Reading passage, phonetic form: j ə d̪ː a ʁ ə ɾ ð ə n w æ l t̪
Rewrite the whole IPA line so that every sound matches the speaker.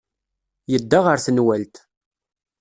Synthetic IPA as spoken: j ə d̪ː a ʁ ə ɾ θ ə n w æ l t̪